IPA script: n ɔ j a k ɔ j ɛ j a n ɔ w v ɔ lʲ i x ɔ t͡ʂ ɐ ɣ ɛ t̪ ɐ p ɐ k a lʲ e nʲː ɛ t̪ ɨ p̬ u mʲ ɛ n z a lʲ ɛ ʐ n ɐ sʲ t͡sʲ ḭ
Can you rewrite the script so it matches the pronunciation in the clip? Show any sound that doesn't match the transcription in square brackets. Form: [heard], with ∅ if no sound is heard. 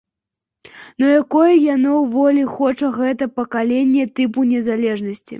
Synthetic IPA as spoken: n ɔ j a k ɔ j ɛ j a n ɔ w v ɔ lʲ i x ɔ t͡ʂ ɐ ɣ ɛ t̪ ɐ p ɐ k a lʲ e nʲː ɛ t̪ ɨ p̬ u [nʲ] ɛ [∅] z a lʲ ɛ ʐ n ɐ sʲ t͡sʲ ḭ